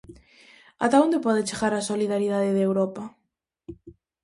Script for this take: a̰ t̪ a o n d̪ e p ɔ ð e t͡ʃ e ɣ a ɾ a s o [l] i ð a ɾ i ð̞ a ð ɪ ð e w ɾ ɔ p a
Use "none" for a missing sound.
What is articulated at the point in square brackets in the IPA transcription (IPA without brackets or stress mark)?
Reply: l